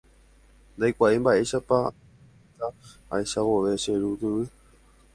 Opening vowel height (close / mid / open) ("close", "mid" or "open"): open